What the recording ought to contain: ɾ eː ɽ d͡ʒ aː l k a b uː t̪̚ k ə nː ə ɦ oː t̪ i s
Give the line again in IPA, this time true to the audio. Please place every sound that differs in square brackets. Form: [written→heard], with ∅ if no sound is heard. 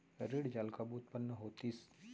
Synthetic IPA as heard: ɾ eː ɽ d͡ʒ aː l k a b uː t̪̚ [k→p] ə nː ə ɦ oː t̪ i s